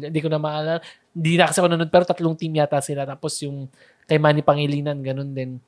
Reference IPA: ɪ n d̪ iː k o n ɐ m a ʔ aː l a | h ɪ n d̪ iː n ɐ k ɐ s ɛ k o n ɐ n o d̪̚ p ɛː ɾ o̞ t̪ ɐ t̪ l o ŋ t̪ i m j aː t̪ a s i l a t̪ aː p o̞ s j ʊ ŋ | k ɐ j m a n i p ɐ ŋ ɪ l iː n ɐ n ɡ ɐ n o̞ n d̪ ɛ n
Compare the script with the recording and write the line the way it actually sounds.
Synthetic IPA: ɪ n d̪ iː k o n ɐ m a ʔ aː l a | h ɪ n d̪ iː n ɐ k ɐ s ɛ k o n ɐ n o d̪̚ p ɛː ɾ o̞ t̪ ɐ t̪ l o ŋ t̪ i m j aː t̪ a s ɪ l a t̪ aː p o̞ s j ʊ ŋ | k ɐ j m a n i p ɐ ŋ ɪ l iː n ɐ n ɡ ɐ n o̞ n d̪ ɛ n